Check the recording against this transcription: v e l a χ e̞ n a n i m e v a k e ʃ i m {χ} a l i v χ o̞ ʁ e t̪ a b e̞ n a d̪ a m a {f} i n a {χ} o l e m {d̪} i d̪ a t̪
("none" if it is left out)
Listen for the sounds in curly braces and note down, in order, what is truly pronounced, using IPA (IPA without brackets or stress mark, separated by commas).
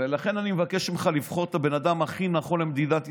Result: χ, χ, χ, d̪